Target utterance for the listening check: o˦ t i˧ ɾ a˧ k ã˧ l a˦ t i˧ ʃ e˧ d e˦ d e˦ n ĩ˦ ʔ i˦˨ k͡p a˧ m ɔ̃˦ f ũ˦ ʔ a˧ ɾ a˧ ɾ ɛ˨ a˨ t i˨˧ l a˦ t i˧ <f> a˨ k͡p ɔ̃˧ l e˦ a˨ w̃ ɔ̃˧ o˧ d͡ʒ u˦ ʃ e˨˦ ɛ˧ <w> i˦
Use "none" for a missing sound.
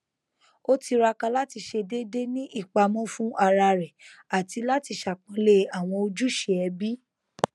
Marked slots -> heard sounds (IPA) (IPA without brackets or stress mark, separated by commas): ʃ, b